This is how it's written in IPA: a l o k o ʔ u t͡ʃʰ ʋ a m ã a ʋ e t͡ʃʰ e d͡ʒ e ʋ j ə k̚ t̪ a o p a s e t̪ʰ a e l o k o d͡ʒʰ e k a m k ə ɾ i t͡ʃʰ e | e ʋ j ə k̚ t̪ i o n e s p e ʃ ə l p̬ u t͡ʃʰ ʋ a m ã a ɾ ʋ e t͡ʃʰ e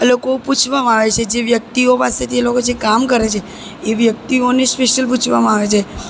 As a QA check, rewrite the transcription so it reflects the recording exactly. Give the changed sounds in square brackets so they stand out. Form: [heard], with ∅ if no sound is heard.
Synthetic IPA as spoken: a l o k o [p] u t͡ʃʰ ʋ a m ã a ʋ e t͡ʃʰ e d͡ʒ e ʋ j ə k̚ t̪ [i] o p a s e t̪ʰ [i] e l o k o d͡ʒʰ e k a m k ə ɾ [e] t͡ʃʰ e | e ʋ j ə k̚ t̪ i o n e s p e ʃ ə l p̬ u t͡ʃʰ ʋ a m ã a [∅] ʋ e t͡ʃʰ e